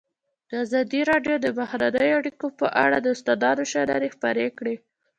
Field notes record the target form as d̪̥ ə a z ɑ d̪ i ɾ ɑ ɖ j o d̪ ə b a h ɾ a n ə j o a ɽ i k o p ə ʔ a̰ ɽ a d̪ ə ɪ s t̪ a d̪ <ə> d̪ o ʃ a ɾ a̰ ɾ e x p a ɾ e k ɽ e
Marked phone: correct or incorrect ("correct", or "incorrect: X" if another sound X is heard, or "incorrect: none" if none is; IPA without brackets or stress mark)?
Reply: incorrect: ɑ